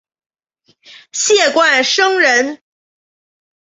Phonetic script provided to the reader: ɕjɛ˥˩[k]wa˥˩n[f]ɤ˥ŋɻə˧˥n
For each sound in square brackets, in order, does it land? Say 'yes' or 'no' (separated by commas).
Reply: yes, no